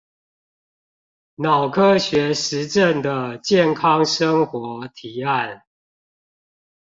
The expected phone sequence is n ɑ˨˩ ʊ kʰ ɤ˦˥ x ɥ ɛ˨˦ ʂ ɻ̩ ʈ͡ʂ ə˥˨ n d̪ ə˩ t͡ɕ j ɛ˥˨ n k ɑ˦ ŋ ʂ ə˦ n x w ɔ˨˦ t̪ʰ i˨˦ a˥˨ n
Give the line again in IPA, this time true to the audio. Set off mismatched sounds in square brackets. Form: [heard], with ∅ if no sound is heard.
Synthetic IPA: n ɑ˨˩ ʊ kʰ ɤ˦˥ [ɕ] ɥ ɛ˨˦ ʂ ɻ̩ ʈ͡ʂ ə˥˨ n d̪ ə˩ t͡ɕ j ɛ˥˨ n [kʰ] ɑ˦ ŋ ʂ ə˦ [ŋ] x w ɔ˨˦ t̪ʰ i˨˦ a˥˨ n